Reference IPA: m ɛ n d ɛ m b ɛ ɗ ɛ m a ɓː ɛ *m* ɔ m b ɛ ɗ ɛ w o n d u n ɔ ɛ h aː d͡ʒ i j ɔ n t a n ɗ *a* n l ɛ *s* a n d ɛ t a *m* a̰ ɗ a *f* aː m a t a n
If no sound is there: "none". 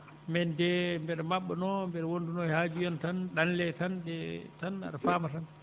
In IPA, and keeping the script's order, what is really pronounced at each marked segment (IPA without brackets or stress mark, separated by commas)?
n, a, t, n, f